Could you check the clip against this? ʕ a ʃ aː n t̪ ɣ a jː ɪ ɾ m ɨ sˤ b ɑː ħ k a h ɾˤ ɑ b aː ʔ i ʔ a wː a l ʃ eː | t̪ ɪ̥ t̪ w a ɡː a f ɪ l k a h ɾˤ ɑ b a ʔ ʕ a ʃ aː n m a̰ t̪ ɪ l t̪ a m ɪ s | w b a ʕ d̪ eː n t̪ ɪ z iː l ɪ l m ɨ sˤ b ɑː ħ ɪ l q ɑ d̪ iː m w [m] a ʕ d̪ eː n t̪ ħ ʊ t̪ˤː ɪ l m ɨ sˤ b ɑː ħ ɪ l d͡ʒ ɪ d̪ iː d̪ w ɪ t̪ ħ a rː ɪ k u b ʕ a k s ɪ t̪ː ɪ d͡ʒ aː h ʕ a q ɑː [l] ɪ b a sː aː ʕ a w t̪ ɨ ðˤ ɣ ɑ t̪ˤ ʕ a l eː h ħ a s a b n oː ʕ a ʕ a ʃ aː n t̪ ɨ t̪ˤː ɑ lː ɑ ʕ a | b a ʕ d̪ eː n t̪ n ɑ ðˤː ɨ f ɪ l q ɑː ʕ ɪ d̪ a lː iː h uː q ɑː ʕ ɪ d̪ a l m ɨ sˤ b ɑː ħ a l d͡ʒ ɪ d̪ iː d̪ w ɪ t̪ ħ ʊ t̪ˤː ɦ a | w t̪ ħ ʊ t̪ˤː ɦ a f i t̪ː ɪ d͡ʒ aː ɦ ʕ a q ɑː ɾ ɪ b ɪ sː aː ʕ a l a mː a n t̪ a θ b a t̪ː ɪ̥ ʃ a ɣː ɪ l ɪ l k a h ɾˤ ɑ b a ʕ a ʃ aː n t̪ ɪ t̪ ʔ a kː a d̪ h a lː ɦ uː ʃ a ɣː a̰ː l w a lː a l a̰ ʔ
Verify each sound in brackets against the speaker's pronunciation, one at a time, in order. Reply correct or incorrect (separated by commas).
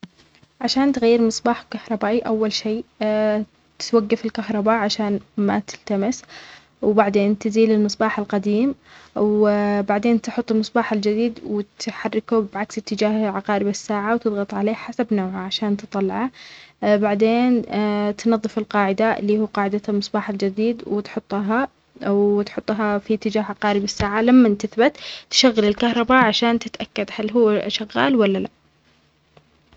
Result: incorrect, incorrect